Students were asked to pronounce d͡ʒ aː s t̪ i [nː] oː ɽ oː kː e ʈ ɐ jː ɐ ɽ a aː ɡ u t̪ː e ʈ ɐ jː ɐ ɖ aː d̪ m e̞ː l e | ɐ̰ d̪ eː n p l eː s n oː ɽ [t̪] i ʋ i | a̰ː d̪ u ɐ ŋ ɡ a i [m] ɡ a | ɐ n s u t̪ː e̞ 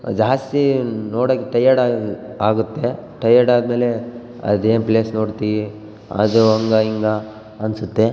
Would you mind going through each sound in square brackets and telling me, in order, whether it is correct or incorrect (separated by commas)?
incorrect, correct, incorrect